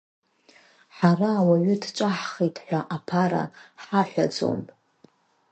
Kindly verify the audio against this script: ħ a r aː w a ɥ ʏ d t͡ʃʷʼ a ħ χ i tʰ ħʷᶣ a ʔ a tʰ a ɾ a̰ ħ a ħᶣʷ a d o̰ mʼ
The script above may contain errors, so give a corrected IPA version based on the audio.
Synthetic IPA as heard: ħ a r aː w a ɥ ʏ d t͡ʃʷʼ a ħ χ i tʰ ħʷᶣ a ʔ a pʰ a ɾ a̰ ħ a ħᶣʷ a d͡z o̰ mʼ